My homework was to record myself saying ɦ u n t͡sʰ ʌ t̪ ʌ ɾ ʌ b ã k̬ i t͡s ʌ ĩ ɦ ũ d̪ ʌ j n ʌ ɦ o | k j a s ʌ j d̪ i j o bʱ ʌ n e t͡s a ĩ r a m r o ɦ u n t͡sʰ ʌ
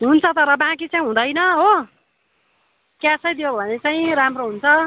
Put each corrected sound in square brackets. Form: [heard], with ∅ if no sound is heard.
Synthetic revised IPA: ɦ u n t͡sʰ ʌ t̪ ʌ ɾ ʌ b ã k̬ i t͡s [a] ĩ ɦ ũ d̪ ʌ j n ʌ ɦ o | k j a s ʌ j d̪ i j o bʱ ʌ n e t͡s a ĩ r a m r o ɦ u n t͡sʰ ʌ

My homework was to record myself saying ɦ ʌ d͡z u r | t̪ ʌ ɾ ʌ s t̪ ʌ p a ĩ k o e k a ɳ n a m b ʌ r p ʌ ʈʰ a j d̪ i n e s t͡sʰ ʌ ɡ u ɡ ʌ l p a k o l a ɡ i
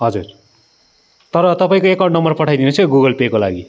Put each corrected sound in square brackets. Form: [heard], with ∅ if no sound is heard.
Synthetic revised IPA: ɦ ʌ d͡z u r | t̪ ʌ ɾ ʌ [∅] t̪ ʌ p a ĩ k o e k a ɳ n [ʌ] m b ʌ r p ʌ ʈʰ a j d̪ i n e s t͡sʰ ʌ ɡ u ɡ ʌ l p [e] k o l a ɡ i

